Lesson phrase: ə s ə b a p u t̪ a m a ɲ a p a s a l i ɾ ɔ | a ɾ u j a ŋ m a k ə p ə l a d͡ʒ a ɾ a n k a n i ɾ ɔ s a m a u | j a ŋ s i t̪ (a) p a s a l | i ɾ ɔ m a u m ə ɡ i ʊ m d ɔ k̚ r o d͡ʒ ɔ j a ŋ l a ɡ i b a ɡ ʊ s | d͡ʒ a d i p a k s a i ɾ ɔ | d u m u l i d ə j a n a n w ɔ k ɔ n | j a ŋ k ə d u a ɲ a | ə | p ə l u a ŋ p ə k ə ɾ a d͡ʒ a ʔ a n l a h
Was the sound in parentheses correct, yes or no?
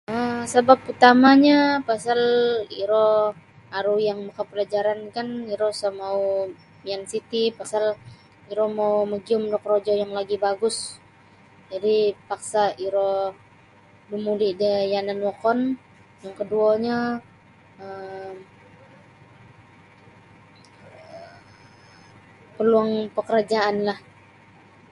no